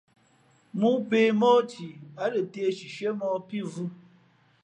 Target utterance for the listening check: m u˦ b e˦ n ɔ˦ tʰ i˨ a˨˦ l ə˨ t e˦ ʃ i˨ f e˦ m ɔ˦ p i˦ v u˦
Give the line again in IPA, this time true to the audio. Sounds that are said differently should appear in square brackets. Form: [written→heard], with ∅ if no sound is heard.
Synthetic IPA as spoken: m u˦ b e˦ [n→m] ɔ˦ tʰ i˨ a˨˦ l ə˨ t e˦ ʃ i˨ [f→ʃ] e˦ m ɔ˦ p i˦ v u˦

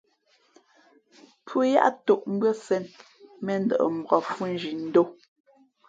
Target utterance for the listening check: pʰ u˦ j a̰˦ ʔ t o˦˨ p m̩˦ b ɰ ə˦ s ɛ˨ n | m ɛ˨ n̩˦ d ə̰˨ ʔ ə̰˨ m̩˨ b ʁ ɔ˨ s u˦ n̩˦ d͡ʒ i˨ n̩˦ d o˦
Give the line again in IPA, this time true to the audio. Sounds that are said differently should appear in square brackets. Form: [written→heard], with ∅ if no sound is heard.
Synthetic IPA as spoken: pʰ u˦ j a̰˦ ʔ t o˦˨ [p→ʔ] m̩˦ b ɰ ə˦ s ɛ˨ n | m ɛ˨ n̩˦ d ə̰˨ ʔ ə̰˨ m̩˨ b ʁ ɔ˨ [s→f] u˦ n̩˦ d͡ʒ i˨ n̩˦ d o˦

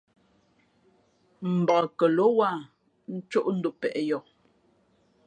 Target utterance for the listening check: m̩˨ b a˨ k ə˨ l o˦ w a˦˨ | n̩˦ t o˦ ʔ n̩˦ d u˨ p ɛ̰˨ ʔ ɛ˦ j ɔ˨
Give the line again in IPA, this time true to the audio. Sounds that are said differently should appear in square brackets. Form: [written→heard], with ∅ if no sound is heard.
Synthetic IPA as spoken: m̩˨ b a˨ k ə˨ l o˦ w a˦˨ | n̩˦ [t→t͡ʃ] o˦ ʔ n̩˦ d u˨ p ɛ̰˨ ʔ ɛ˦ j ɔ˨

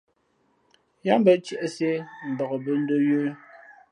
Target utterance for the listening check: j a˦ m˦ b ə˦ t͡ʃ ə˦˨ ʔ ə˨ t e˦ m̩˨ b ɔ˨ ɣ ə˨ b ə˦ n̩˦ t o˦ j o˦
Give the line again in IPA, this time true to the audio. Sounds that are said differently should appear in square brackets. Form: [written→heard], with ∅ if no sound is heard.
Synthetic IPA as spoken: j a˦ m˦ b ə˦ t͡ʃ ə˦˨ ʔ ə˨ [t→s] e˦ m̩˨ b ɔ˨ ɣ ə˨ b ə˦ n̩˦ [t→d] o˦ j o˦

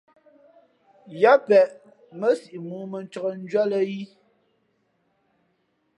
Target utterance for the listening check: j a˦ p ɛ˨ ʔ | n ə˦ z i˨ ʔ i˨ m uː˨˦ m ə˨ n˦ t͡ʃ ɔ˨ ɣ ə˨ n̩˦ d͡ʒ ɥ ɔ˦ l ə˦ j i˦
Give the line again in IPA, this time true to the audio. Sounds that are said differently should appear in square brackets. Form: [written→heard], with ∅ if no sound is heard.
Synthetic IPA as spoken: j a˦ p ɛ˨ ʔ | [n→m] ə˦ [z→s] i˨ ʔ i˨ m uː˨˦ m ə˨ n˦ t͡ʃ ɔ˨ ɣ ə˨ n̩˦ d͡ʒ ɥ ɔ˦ l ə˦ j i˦

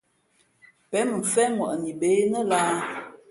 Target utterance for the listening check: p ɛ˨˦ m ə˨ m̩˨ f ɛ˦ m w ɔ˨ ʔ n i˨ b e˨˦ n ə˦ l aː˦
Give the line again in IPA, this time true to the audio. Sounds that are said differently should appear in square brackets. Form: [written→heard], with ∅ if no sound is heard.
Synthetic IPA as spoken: p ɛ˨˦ m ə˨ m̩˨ f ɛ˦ m w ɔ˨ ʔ n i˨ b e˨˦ n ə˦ l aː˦

